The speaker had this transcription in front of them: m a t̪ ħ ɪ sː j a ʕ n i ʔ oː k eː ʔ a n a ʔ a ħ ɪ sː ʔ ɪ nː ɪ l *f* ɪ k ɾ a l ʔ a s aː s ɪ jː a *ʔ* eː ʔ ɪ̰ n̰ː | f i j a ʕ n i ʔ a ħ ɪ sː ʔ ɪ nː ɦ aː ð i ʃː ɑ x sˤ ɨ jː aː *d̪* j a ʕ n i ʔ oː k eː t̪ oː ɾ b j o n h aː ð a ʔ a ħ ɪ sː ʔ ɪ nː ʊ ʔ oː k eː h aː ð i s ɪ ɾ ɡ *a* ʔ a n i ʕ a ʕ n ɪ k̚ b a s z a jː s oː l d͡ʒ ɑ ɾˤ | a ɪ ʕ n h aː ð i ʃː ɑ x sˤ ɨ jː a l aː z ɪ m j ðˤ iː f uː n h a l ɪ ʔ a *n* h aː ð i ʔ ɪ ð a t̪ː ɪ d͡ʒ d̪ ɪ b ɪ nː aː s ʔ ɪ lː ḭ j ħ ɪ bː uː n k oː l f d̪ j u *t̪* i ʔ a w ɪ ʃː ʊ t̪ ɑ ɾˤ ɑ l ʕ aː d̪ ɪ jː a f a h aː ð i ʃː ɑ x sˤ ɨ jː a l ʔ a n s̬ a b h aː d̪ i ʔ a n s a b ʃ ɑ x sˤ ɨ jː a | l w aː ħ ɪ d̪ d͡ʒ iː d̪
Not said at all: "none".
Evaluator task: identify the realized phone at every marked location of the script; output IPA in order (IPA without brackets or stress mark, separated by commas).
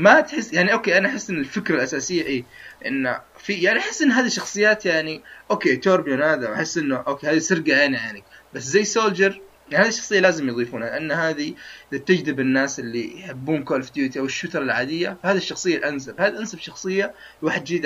f, ʔ, t̪, a, nː, t̪